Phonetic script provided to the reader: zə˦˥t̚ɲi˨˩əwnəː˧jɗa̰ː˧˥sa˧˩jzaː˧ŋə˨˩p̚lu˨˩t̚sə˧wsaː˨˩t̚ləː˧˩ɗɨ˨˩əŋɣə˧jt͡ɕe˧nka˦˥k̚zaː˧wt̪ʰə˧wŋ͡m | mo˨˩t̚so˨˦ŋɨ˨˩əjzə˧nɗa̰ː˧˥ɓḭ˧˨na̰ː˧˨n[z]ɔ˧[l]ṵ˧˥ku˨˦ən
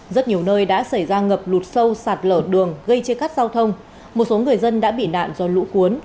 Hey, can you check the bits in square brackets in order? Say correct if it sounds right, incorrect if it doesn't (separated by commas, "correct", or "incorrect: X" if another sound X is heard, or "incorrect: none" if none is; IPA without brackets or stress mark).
correct, correct